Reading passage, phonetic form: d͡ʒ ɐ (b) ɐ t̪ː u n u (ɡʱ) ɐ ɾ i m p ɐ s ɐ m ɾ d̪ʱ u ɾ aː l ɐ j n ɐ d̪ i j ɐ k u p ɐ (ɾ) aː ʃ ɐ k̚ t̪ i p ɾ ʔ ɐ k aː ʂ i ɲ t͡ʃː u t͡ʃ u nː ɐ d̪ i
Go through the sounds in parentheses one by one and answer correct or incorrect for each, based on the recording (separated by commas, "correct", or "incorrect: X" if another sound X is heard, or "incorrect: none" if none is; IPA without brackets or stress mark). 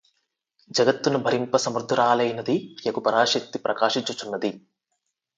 incorrect: ɡ, incorrect: bʱ, correct